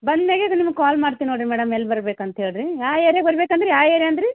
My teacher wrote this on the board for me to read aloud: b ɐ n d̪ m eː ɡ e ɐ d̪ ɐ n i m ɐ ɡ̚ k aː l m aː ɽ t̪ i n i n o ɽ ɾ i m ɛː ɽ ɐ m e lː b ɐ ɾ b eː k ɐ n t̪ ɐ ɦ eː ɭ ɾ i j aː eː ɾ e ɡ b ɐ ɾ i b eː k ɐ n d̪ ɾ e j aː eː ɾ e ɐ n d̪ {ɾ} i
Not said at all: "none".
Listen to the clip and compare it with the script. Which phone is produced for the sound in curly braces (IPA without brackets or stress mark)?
ɾ